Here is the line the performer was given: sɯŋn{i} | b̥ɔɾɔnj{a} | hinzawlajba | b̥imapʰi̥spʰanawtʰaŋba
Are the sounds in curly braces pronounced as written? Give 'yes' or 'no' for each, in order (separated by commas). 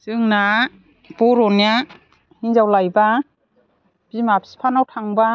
no, yes